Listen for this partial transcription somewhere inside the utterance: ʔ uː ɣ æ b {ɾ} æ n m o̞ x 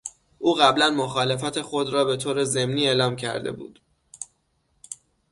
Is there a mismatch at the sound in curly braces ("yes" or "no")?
yes